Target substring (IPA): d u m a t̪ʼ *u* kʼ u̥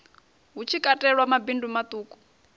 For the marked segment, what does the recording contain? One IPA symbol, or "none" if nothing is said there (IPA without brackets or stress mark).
uː